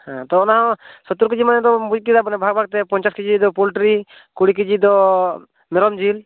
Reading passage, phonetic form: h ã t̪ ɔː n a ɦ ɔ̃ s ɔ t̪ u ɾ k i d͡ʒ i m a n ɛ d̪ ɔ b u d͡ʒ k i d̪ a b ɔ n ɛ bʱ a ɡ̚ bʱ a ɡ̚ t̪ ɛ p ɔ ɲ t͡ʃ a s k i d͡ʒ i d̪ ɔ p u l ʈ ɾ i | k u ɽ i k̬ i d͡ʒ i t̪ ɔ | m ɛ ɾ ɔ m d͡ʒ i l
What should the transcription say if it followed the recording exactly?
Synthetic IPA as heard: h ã t̪ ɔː n a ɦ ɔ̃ s ɔ t̪ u ɾ k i d͡ʒ i m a n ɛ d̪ ɔ b u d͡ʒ k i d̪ a b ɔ n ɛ bʱ a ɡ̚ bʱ a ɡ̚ t̪ ɛ p ɔ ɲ t͡ʃ a s k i d͡ʒ i d̪ ɔ p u l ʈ ɾ i | k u ɽ i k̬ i d͡ʒ i d̪ ɔ | m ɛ ɾ ɔ m d͡ʒ i l